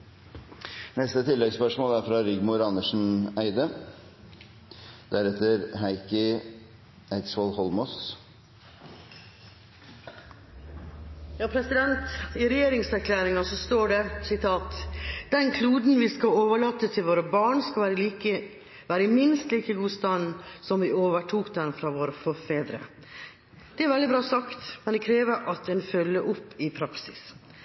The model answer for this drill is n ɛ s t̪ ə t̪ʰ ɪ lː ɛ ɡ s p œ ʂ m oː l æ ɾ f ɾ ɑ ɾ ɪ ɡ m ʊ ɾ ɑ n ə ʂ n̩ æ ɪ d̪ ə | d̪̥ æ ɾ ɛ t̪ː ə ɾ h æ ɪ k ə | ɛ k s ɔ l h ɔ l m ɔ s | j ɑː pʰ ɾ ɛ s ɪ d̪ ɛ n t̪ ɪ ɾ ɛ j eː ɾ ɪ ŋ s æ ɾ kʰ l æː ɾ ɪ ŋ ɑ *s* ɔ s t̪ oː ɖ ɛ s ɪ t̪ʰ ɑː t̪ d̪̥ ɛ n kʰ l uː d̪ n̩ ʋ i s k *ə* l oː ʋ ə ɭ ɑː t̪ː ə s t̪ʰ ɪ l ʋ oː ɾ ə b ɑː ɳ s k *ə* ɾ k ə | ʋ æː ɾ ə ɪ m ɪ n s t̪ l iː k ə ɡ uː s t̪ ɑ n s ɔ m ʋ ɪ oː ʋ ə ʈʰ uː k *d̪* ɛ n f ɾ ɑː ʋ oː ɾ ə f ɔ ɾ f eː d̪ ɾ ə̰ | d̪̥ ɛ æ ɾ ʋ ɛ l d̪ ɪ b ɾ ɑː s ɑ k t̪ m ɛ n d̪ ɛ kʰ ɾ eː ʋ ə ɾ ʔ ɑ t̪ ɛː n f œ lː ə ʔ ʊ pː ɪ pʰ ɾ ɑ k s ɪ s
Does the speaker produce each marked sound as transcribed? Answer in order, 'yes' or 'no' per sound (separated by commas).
yes, no, no, yes